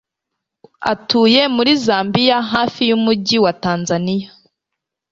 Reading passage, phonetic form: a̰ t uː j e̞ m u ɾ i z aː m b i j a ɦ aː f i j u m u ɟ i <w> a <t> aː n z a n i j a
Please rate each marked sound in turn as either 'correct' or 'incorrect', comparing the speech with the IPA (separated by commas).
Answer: correct, correct